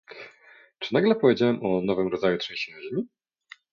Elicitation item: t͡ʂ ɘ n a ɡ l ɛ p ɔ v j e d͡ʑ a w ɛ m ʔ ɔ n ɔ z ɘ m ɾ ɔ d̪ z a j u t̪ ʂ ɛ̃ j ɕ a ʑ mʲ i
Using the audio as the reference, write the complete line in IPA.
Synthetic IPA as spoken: t͡ʂ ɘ n a ɡ l ɛ p ɔ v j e d͡ʑ a w ɛ m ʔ ɔ n ɔ v ɘ m ɾ ɔ d̪ z a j u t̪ ʂ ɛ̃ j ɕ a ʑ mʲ i